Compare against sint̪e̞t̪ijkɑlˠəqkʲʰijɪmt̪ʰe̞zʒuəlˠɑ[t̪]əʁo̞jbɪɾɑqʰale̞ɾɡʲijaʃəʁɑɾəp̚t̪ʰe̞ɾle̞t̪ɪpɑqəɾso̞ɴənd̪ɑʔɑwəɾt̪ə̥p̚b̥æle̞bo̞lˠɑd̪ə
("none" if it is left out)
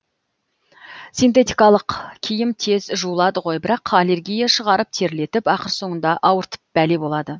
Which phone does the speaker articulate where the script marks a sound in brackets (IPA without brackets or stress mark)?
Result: d̪